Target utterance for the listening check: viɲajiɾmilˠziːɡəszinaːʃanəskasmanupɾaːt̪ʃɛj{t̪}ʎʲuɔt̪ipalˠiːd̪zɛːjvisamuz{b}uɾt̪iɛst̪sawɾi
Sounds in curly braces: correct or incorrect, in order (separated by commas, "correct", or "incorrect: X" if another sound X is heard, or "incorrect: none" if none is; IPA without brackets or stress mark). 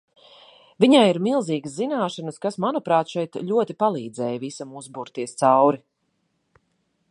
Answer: correct, correct